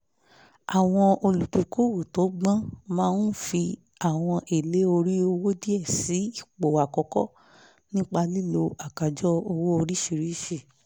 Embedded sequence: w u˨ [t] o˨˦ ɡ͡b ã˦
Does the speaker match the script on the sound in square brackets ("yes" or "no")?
yes